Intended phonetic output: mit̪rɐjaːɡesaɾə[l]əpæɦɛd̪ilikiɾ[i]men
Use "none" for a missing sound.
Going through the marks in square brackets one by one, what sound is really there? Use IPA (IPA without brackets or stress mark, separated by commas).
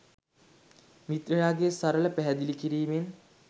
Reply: l, iː